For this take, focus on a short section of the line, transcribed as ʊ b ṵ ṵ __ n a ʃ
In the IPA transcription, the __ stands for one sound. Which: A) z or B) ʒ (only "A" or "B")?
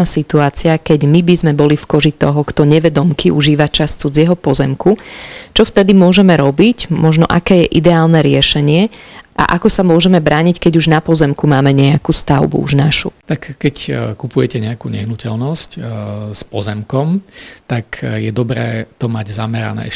B